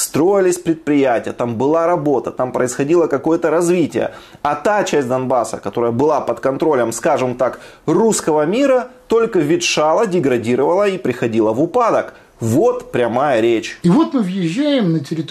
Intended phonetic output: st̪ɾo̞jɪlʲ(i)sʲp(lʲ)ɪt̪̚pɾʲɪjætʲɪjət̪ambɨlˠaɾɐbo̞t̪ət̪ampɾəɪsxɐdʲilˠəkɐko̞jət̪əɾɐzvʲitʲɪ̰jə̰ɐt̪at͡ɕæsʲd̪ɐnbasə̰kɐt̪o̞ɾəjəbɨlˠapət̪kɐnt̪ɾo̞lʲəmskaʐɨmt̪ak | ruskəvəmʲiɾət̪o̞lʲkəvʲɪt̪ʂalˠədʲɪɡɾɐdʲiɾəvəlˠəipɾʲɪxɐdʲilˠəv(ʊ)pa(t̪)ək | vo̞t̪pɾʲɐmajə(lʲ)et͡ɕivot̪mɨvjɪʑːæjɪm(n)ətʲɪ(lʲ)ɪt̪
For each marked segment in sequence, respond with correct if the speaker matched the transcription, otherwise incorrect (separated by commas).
incorrect, incorrect, correct, incorrect, incorrect, correct, incorrect